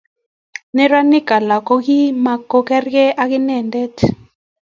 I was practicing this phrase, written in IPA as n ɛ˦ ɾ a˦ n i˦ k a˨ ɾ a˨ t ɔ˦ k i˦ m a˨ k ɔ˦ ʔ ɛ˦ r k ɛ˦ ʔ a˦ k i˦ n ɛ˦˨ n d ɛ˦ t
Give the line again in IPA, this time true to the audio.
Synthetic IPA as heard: n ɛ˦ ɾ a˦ n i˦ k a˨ l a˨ k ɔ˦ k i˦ m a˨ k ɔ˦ k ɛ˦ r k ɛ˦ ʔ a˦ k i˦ n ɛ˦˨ n d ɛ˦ t